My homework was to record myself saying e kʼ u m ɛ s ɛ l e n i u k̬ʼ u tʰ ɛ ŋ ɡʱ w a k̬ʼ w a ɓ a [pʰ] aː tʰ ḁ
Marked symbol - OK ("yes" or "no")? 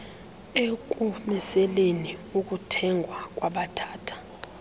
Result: no